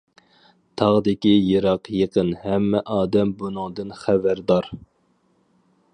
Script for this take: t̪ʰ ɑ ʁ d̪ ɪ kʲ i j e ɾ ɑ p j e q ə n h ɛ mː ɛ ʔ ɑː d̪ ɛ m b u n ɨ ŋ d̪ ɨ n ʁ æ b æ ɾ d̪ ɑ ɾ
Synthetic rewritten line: t̪ʰ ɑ ʁ d̪ ɪ kʲ i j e ɾ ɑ q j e q ə n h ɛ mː ɛ ʔ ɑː d̪ ɛ m b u n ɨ ŋ d̪ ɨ n χ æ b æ ɾ d̪ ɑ ɾ